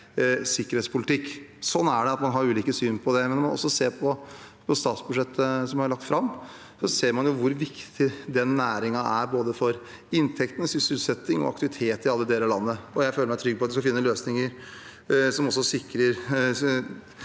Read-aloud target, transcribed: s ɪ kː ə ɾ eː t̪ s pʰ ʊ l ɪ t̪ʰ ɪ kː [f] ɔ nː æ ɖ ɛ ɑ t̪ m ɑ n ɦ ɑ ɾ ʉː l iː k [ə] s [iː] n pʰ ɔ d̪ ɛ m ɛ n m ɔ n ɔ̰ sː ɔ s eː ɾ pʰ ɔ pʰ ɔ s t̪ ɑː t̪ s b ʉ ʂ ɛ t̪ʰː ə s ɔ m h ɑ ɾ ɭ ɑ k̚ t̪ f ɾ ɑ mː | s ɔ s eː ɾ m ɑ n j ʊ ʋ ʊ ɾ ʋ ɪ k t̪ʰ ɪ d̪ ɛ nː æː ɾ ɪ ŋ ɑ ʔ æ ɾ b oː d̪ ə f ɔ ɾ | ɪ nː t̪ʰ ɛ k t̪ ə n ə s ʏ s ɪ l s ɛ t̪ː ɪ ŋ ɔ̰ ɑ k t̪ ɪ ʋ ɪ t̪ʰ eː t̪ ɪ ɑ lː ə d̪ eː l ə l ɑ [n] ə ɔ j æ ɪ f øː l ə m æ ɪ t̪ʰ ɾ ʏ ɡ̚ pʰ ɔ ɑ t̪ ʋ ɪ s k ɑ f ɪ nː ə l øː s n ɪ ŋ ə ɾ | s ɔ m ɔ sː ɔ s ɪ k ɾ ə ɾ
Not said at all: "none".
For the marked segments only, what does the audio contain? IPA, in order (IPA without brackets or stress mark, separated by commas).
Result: s, ə, yː, nː